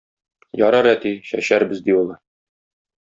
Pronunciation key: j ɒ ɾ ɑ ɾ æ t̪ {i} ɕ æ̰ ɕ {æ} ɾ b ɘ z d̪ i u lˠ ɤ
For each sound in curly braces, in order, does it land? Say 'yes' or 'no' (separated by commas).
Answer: yes, yes